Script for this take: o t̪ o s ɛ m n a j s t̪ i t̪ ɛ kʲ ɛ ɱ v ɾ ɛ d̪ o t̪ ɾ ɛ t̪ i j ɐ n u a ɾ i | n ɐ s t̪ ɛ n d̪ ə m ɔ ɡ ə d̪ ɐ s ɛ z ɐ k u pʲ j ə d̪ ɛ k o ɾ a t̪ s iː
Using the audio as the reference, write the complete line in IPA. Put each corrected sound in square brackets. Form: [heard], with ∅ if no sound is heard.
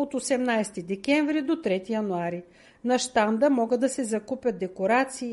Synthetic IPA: o t̪ o s ɛ m n a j s t̪ i [d̪] ɛ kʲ ɛ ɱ v ɾ [i] d̪ o t̪ ɾ ɛ t̪ i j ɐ n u a ɾ i | n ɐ [ʃ] t̪ [a] n d̪ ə m ɔ ɡ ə d̪ ɐ s ɛ z ɐ k u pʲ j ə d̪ ɛ k o ɾ a t̪ s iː